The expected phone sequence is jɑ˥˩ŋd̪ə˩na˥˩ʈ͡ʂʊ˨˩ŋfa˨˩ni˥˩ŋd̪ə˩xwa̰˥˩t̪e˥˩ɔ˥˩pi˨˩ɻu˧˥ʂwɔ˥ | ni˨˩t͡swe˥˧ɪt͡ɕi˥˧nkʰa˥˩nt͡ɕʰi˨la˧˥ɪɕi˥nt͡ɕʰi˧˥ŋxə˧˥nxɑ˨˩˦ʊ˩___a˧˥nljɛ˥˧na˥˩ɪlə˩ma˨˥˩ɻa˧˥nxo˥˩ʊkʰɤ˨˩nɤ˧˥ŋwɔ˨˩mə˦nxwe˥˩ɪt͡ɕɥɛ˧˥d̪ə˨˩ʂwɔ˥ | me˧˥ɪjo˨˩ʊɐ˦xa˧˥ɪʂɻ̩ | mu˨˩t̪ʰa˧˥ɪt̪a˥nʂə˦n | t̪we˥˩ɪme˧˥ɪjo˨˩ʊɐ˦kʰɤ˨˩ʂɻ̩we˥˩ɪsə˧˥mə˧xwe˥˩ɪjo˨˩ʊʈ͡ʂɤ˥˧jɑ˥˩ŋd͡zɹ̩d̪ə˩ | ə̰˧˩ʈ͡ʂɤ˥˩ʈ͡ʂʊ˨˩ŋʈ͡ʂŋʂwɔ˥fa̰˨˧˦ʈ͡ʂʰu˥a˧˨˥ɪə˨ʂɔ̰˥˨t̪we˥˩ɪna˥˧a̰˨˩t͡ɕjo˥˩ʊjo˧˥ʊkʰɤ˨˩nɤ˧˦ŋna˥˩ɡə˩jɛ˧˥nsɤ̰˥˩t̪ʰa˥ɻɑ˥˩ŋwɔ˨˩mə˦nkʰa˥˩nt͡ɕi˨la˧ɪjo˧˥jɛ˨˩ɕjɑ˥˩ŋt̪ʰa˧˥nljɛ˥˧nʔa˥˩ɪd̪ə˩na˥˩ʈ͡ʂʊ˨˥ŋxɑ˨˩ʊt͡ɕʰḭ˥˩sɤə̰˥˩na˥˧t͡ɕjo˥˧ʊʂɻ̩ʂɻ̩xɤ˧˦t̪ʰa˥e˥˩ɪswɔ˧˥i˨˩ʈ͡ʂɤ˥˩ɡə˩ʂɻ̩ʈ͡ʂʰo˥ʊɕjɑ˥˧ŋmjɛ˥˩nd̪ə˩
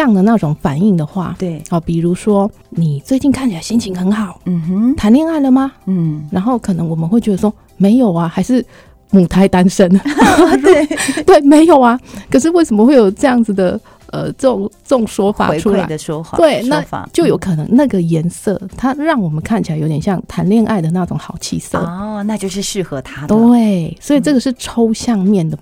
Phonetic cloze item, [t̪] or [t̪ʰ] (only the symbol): t̪ʰ